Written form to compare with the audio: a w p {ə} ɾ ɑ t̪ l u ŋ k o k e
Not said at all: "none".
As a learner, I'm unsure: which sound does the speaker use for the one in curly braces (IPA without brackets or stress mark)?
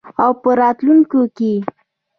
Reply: ə